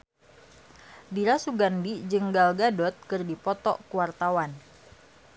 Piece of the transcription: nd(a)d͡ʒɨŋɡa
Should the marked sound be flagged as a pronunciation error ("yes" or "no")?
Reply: yes